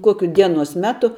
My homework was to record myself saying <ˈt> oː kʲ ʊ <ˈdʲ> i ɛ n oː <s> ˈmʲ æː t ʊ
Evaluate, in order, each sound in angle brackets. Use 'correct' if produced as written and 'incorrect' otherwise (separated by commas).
incorrect, correct, correct